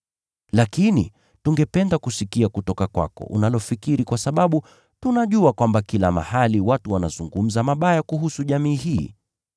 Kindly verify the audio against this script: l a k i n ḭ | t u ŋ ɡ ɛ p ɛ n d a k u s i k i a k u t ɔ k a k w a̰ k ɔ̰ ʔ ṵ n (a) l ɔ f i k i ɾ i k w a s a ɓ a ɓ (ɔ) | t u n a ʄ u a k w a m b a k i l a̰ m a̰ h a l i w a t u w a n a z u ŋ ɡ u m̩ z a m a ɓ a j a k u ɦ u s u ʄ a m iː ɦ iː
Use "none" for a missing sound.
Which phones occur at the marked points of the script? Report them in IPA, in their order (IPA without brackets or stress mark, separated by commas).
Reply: a, u